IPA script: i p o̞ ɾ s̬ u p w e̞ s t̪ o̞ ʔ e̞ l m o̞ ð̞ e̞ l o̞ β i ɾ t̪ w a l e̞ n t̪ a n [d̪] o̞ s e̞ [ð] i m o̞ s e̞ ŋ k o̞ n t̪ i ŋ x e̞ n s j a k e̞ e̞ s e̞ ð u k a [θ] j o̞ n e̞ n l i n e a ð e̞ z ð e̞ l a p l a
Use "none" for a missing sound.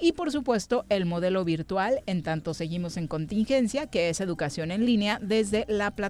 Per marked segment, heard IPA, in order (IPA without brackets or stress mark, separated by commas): t̪, ɣ, s